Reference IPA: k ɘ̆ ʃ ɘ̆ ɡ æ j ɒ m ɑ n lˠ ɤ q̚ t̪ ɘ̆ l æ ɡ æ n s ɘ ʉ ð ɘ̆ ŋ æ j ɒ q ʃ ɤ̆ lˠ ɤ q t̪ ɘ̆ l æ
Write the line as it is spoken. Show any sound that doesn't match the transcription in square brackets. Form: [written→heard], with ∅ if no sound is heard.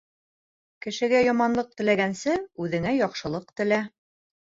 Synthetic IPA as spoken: k ɘ̆ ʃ ɘ̆ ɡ æ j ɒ m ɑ n lˠ ɤ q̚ t̪ ɘ̆ l æ ɡ æ n s ɘ ʉ ð ɘ̆ ŋ æ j ɒ q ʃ ɤ̆ lˠ ɤ q t̪ ɘ̆ l æ